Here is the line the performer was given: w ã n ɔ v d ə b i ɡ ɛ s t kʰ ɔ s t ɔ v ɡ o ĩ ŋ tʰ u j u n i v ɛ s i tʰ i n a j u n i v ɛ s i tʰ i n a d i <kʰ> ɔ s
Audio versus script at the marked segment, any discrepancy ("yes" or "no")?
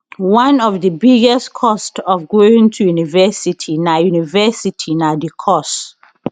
no